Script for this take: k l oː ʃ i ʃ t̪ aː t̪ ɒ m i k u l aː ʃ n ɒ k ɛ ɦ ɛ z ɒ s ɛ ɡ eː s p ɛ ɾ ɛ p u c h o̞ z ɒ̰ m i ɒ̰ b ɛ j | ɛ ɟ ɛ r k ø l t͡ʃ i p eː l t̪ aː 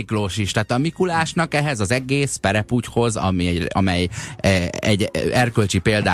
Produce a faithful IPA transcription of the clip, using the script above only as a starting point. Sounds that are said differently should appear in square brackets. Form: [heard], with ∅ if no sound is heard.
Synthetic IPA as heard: k l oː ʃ i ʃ t̪ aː t̪ ɒ m i k u l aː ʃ n ɒ k ɛ ɦ ɛ z ɒ [z] ɛ ɡ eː s p ɛ ɾ ɛ p u c h o̞ z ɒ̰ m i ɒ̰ [m] ɛ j | ɛ ɟ ɛ r k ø l t͡ʃ i p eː l [d̪] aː